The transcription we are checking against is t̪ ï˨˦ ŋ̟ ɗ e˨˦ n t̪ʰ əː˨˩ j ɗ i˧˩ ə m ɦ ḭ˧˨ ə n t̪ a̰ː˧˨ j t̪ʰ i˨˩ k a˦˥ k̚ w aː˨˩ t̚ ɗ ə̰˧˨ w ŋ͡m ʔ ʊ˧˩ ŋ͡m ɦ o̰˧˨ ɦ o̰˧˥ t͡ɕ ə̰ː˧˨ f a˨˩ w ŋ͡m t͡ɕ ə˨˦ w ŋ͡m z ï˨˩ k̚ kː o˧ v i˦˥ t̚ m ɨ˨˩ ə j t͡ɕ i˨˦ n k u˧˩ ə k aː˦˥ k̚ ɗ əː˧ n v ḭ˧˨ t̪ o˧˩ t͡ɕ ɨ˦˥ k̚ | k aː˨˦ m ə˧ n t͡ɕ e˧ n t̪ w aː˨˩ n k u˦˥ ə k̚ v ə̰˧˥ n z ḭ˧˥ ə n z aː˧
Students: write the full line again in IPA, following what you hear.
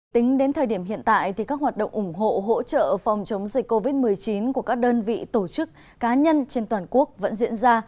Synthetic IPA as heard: t̪ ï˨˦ ŋ̟ ɗ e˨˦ n t̪ʰ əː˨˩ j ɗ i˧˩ ə m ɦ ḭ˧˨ ə n t̪ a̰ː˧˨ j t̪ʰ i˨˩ k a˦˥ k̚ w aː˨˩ t̚ ɗ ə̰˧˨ w ŋ͡m ʔ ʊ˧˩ ŋ͡m ɦ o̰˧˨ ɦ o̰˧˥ t͡ɕ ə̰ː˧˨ f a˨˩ w ŋ͡m t͡ɕ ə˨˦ w ŋ͡m z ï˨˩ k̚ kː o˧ v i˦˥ t̚ m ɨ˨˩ ə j t͡ɕ i˨˦ n k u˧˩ ə k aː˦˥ k̚ ɗ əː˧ n v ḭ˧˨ t̪ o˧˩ t͡ɕ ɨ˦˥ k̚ | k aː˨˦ ɲ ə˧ n t͡ɕ e˧ n t̪ w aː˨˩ n k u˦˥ ə k̚ v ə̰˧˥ n z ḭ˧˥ ə n z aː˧